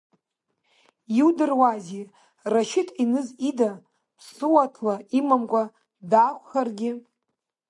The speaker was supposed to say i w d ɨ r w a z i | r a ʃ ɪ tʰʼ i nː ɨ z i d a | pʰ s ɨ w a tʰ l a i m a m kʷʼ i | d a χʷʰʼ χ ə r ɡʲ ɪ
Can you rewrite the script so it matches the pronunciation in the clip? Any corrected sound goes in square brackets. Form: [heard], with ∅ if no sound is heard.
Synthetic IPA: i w d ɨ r w a z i | r a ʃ ɪ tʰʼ i [n] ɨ z i d a | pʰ s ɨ w a tʰ l a i m a m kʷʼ [a] | d a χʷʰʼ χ [a] r ɡʲ ɪ

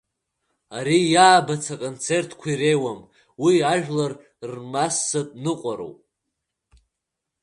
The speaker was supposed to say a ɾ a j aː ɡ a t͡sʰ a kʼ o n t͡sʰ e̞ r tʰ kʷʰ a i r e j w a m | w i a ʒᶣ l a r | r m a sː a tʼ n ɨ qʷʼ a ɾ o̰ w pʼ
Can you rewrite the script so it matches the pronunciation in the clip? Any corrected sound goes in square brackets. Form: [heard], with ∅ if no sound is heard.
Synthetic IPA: a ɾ [i] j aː [b] a t͡sʰ a kʼ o n t͡sʰ e̞ r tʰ kʷʰ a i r e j w a m | w i a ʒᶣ l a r | r m a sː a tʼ n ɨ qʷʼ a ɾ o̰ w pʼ

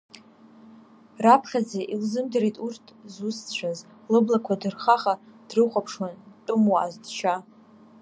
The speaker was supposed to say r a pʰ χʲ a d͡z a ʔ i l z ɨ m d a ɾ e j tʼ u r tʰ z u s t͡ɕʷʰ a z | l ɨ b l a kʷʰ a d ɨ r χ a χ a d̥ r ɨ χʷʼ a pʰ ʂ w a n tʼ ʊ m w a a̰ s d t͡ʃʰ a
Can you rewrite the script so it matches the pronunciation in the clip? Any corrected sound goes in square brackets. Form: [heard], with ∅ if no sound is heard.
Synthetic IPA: r a pʰ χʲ a d͡z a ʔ i l z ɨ m d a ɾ e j tʼ u r tʰ z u s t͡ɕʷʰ a z | l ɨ b l a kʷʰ a d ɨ r χ a χ a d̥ r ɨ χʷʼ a pʰ ʂ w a n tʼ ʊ m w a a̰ [z] d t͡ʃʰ a

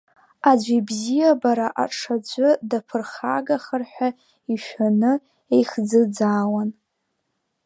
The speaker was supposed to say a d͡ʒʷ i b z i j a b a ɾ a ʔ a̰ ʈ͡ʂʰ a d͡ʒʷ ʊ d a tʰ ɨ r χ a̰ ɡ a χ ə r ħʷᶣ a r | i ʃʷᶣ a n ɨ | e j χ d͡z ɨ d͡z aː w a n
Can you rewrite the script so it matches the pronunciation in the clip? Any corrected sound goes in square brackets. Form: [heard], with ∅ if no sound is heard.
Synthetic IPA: a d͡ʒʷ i b z i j a b a ɾ a ʔ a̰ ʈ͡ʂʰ a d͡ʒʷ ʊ d a [pʰ] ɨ r χ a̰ ɡ a χ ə r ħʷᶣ a [∅] | i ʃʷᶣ a n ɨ | e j χ d͡z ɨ d͡z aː w a n

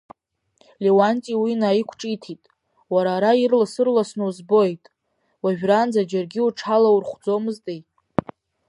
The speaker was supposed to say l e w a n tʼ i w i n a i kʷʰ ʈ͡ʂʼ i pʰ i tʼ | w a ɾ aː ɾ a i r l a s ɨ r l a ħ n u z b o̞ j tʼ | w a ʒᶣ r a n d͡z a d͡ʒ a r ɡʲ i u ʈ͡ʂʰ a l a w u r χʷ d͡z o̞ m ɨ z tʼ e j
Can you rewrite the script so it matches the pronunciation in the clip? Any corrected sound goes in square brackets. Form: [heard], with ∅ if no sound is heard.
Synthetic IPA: l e w a n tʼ i w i n a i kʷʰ ʈ͡ʂʼ i [tʰ] i tʼ | w a ɾ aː ɾ a i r l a s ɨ r l a [s] n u z b o̞ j tʼ | w a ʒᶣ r a n d͡z a d͡ʒ a r ɡʲ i u ʈ͡ʂʰ a l a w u r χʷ d͡z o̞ m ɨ z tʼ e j

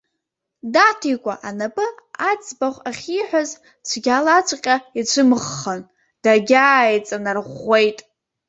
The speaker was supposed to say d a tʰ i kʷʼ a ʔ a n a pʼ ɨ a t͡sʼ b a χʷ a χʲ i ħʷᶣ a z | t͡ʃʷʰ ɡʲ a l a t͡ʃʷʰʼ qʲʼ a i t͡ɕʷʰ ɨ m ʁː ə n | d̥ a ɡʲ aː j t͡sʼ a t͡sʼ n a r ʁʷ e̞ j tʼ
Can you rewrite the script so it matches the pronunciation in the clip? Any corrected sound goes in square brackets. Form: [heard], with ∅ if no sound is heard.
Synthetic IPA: d a tʰ i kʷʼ a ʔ a n a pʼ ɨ a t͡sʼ b a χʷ a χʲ i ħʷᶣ a z | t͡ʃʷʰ ɡʲ a l a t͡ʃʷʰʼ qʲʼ a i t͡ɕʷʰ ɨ m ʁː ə n | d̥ a ɡʲ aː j t͡sʼ a [∅] n a r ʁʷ e̞ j tʼ

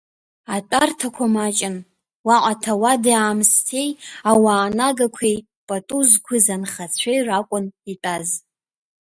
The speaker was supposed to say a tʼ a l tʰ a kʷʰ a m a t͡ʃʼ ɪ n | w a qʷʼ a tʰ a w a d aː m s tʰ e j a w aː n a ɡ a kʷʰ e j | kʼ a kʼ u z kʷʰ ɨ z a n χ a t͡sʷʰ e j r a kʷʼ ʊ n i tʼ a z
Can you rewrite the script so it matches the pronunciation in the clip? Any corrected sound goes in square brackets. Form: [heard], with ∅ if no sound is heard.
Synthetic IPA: a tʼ a [r] tʰ a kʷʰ a m a t͡ʃʼ ɪ n | w a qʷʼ a tʰ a w a d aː m s tʰ e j a w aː n a ɡ a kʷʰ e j | [pʼ] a [tʼ] u z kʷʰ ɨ z a n χ a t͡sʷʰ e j r a kʷʼ ʊ n i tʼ a z

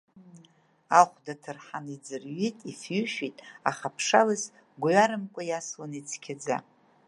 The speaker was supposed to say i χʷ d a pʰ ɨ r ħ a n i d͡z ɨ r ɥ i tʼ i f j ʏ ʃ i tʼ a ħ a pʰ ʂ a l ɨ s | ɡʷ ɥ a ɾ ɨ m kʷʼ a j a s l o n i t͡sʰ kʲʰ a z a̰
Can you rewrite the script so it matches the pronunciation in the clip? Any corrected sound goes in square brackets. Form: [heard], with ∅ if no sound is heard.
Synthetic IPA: [a] χʷ d a [tʰ] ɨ r ħ a n i d͡z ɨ r ɥ i tʼ i f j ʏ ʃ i tʼ a [χ] a pʰ ʂ a l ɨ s | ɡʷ ɥ a ɾ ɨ m kʷʼ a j a s l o n i t͡sʰ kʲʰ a [d͡z] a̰

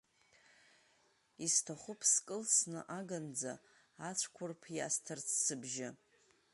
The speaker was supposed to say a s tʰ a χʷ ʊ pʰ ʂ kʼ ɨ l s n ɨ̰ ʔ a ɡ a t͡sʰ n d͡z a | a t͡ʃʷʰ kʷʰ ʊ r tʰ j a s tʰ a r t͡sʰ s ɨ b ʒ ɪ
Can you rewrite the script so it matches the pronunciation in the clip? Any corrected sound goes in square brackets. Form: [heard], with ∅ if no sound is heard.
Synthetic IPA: [i] s tʰ a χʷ ʊ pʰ [s] kʼ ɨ l s n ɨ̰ ʔ a ɡ a [∅] n d͡z a | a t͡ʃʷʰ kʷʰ ʊ r [pʰ] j a s tʰ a r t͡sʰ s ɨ b ʒ ɪ

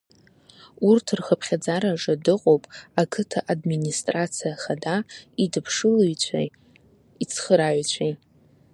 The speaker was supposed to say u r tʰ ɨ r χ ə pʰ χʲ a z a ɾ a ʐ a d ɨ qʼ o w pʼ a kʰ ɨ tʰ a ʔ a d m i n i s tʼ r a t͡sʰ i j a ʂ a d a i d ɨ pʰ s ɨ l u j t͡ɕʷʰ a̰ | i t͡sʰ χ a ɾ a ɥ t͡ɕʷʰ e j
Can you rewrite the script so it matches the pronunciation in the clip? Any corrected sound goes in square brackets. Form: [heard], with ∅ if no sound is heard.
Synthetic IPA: u r tʰ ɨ r χ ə pʰ χʲ a [d͡z] a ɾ a ʐ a d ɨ qʼ o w pʼ a kʰ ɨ tʰ a ʔ a d m i n i s tʼ r a t͡sʰ i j a [χ] a d a i d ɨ pʰ [ʂ] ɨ l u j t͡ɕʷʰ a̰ | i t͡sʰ χ [ə] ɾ a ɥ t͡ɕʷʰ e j

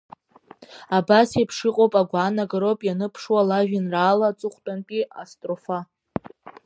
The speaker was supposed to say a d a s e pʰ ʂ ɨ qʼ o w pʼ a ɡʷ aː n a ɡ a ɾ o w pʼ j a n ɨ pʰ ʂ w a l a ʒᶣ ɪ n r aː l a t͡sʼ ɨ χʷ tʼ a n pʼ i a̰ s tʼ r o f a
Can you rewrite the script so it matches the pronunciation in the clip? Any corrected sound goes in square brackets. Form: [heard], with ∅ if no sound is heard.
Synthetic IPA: a [b] a s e pʰ ʂ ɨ qʼ o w pʼ a ɡʷ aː n a ɡ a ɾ o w pʼ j a n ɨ pʰ ʂ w a l a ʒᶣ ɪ n r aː l a t͡sʼ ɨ χʷ tʼ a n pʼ i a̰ s tʼ r o f a

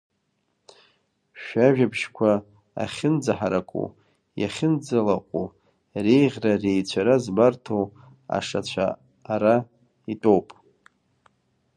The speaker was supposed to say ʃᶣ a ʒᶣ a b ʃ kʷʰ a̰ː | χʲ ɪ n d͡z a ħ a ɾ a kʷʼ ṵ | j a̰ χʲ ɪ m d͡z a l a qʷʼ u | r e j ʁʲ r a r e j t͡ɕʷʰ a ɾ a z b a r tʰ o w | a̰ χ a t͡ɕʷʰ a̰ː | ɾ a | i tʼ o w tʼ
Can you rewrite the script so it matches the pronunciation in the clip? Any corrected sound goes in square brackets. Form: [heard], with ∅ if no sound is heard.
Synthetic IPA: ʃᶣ a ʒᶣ a b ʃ kʷʰ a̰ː | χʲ ɪ n d͡z a ħ a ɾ a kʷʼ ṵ | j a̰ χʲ ɪ [n] d͡z a l a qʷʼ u | r e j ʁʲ r a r e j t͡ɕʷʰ a ɾ a z b a r tʰ o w | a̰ [ʂ] a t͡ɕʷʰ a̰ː | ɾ a | i tʼ o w [pʼ]

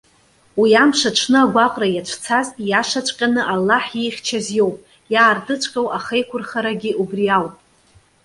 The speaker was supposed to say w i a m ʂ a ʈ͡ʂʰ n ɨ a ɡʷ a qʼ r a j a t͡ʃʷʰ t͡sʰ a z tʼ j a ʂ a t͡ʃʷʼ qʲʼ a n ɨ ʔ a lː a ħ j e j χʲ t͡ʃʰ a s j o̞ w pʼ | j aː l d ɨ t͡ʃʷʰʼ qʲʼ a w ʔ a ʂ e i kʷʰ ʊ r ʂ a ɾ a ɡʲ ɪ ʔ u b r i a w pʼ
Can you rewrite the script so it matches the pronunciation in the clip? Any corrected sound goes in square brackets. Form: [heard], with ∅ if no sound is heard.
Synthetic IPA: w i a m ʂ a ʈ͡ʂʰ n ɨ a ɡʷ a qʼ r a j a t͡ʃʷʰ t͡sʰ a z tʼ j a ʂ a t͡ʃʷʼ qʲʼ a n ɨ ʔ a lː a ħ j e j χʲ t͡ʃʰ a [z] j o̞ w pʼ | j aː [r] d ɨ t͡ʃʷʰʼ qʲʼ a w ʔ a [χ] e [j] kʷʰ ʊ r [χ] a ɾ a ɡʲ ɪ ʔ u b r i a w pʼ

